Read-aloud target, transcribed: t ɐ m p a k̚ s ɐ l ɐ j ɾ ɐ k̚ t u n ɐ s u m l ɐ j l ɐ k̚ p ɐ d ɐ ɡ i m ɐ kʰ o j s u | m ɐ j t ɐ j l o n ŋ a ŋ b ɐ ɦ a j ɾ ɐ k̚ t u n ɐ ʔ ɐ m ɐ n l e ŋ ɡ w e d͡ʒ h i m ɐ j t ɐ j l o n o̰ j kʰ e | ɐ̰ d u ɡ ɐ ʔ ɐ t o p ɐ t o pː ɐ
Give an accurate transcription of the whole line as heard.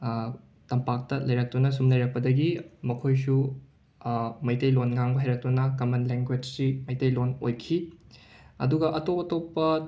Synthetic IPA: t ɐ m p a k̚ t ɐ l ɐ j ɾ ɐ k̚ t u n ɐ s u m l ɐ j ɾ ɐ k̚ p ɐ d ɐ ɡ i m ɐ kʰ o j s u | m ɐ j t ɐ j l o n ŋ a ŋ b ɐ ɦ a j ɾ ɐ k̚ t u n ɐ k ɐ m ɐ n l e ŋ ɡ w e d͡ʒ s i m ɐ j t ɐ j l o n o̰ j kʰ i | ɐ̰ d u ɡ ɐ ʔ ɐ t o p ɐ t o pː ɐ

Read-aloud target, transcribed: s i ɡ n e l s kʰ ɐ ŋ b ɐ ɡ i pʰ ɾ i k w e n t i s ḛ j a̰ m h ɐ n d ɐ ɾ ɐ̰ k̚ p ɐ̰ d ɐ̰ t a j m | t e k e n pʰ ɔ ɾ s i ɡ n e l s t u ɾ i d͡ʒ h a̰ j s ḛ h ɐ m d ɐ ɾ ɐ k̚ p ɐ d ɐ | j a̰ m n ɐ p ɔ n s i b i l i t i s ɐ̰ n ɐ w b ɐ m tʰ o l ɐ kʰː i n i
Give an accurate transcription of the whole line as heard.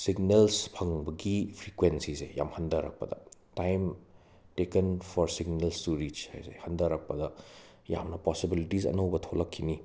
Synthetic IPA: s i ɡ n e l s pʰ ɐ ŋ b ɐ ɡ i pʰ ɾ i k w e n s i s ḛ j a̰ m h ɐ n d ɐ ɾ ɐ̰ k̚ p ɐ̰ d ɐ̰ t a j m | t e k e n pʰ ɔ ɾ s i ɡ n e l s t u ɾ i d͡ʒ h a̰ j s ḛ h ɐ n d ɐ ɾ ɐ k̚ p ɐ d ɐ | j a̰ m n ɐ p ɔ s i b i l i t i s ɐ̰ n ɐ w b ɐ tʰ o l ɐ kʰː i n i

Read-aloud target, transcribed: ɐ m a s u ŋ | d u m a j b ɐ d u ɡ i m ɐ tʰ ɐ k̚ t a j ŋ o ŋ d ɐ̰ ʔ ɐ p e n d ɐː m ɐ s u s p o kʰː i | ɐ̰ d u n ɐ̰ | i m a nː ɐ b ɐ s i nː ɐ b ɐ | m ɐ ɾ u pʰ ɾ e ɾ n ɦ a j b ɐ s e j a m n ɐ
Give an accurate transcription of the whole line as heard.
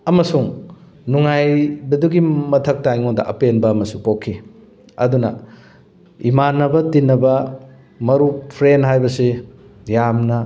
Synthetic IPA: ɐ m ɐ s u ŋ | n u ŋ a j b ɐ d u ɡ i m ɐ tʰ ɐ k̚ t a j ŋ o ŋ d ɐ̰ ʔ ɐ p e n b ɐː m ɐ s u p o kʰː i | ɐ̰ d u n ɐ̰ | i m a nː ɐ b ɐ t i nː ɐ b ɐ | m ɐ ɾ u pʰ ɾ e n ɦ a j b ɐ s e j a m n ɐ

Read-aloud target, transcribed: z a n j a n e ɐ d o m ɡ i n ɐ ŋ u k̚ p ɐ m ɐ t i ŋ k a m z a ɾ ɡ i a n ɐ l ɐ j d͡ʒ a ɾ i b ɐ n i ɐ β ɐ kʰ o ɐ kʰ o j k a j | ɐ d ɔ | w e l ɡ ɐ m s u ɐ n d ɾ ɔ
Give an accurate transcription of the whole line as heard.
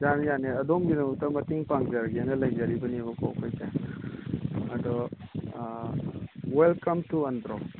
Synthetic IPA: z a n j a n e ɐ d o m ɡ i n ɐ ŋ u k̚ t ɐ m ɐ t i ŋ p a ŋ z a ɾ ɡ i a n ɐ l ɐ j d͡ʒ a ɾ i b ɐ n i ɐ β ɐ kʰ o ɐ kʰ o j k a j | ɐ d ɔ | w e l k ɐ m t u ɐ n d ɾ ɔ

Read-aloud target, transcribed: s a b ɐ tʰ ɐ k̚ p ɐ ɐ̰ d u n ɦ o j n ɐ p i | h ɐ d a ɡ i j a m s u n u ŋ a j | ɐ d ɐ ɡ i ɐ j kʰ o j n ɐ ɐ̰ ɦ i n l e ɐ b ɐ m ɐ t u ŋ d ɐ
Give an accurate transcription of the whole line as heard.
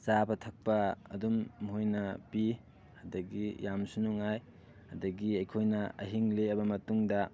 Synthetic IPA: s a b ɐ tʰ ɐ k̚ p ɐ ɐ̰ d u m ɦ o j n ɐ p i | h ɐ d ɐ ɡ i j a m s u n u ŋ a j | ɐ d ɐ ɡ i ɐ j kʰ o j n ɐ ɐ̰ ɦ i ŋ l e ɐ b ɐ m ɐ t u ŋ d ɐ

